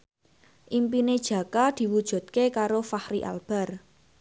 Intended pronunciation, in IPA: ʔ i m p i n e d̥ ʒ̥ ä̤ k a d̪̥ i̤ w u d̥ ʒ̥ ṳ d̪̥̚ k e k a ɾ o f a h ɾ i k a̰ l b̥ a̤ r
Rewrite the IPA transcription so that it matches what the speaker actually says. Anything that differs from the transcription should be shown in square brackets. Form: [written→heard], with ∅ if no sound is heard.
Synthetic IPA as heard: ʔ i m p i n e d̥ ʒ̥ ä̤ k a d̪̥ i̤ w u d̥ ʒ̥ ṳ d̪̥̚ k e k a ɾ o f a h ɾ i [k→ʔ] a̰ l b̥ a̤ r